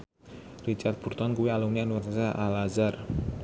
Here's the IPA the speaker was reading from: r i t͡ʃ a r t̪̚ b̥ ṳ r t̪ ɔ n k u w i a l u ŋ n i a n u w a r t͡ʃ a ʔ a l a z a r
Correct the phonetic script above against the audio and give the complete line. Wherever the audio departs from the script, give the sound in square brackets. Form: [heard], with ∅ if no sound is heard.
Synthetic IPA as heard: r i t͡ʃ a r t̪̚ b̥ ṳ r t̪ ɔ n k u w i a l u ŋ n i a n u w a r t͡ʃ a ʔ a l a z a r